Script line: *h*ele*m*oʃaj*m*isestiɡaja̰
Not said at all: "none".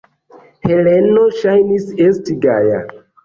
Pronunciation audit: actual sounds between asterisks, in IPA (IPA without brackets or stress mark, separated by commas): h, n, n